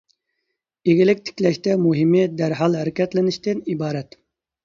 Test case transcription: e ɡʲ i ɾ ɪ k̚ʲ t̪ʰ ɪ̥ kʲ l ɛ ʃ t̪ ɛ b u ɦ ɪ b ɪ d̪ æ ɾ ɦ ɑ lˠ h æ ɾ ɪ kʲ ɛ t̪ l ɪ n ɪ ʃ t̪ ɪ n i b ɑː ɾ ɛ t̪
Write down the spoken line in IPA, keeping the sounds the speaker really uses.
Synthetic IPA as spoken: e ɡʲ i l ɪ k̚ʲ t̪ʰ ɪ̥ kʲ l ɛ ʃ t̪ ɛ m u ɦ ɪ m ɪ d̪ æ ɾ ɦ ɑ lˠ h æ ɾ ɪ kʲ ɛ t̪ l ɪ n ɪ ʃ t̪ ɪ n i b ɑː ɾ ɛ t̪